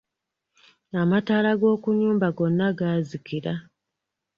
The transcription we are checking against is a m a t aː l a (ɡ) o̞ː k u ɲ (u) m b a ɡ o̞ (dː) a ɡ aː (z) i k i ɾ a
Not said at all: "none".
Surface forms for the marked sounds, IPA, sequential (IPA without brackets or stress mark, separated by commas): ɡ, uː, nː, z